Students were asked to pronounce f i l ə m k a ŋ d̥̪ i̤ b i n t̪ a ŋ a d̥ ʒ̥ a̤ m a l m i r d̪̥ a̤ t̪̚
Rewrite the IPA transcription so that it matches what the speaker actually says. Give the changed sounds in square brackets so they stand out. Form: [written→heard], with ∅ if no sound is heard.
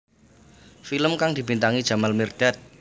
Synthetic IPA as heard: f i l ə m k a ŋ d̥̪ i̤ b i n t̪ a ŋ [a→i] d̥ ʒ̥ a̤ m a l m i r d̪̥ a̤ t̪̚